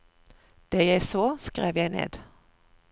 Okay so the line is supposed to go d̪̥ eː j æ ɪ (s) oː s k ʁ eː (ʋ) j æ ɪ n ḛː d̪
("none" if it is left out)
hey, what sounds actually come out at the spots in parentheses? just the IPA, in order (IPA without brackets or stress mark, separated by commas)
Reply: s, ʋ